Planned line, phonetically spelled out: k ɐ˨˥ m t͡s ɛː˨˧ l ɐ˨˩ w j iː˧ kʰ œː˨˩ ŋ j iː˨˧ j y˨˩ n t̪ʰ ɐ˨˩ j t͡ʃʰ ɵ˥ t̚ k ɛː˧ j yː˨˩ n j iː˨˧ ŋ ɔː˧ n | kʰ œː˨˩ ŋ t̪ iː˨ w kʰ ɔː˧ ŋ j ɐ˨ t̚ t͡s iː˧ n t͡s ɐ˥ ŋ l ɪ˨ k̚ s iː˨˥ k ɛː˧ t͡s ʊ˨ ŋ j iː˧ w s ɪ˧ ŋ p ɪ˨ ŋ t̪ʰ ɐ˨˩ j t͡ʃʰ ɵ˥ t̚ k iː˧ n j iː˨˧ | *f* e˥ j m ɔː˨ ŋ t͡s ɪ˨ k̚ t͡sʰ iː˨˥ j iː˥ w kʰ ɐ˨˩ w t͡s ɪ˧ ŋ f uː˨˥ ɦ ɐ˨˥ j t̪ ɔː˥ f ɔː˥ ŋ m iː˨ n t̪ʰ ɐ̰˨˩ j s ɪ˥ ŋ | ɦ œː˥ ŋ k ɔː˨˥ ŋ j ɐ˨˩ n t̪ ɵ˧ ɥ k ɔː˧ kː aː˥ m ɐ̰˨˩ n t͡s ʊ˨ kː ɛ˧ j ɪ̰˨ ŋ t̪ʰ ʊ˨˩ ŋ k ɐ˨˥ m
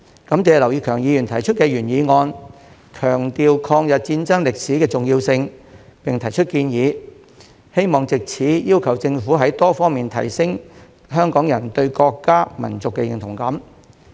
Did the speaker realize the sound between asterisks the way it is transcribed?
no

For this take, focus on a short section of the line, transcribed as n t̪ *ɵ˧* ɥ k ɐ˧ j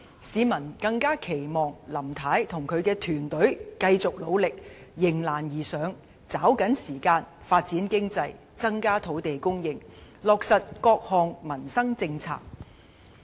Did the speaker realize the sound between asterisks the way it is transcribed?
no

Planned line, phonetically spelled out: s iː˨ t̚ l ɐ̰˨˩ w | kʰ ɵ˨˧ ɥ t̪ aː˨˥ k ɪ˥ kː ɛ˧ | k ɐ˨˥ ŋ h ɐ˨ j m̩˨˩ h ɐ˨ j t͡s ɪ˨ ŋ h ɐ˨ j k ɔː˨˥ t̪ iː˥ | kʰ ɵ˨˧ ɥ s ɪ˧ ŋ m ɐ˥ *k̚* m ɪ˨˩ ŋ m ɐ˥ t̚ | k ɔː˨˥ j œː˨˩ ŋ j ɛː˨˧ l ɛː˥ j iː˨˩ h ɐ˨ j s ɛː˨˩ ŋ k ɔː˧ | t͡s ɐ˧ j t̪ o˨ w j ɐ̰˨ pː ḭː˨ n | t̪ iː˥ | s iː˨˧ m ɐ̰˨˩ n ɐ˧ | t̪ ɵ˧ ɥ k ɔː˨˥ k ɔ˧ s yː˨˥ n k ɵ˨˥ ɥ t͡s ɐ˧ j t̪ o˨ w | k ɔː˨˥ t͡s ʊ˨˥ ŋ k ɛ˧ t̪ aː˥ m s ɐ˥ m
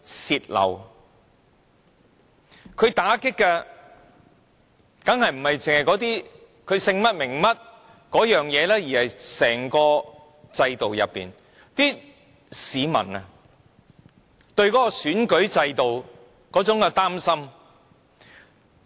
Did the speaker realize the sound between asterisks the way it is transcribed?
no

